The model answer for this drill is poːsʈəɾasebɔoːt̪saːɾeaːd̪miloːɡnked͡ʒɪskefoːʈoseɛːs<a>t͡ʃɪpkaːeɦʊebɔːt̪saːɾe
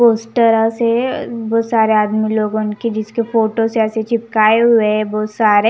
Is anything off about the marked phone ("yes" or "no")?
yes